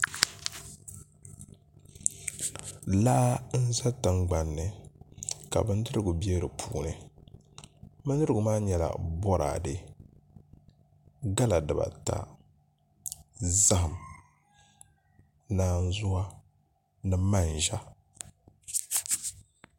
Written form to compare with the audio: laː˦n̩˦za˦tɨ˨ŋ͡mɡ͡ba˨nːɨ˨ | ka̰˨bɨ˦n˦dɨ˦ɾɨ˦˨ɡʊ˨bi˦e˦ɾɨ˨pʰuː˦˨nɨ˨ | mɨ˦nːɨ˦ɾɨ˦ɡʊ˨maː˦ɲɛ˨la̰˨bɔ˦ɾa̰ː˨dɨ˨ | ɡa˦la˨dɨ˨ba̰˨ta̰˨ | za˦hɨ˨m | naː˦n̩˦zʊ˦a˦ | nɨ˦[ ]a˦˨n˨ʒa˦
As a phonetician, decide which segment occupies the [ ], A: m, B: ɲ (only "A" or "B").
A